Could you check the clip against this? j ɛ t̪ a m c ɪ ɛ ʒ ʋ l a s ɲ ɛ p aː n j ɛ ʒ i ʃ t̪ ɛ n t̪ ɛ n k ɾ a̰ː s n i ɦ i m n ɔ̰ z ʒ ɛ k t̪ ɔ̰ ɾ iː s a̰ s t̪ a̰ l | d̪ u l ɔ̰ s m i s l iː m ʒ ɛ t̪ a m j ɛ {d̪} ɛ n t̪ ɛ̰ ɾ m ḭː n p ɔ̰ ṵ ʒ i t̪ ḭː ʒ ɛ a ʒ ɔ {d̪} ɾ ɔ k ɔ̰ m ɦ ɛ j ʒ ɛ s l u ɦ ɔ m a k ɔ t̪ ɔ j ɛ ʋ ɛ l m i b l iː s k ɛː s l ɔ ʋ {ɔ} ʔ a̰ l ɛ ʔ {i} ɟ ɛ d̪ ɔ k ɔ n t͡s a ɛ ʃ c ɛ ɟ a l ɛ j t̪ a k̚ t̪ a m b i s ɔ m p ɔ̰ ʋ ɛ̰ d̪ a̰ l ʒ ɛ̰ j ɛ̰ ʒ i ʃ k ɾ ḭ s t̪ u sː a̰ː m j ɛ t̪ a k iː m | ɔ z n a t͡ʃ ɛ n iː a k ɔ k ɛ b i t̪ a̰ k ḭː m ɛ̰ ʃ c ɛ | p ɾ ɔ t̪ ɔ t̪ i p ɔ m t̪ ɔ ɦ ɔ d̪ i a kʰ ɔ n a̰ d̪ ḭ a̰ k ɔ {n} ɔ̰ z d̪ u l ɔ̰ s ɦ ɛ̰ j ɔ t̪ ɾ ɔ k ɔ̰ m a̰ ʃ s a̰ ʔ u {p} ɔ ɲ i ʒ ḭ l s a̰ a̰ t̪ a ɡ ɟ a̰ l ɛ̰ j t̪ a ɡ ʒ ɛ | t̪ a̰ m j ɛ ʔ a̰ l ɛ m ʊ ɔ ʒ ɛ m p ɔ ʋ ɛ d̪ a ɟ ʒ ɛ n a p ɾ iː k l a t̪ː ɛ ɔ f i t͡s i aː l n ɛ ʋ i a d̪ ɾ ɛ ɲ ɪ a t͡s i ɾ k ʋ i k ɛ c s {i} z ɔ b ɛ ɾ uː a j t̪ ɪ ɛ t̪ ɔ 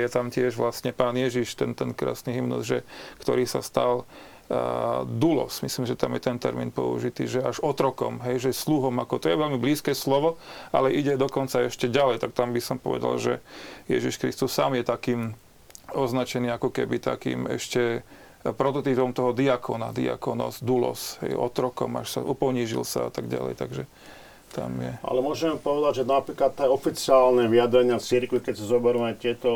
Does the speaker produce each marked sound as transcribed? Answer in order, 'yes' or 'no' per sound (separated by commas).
no, no, yes, yes, yes, yes, no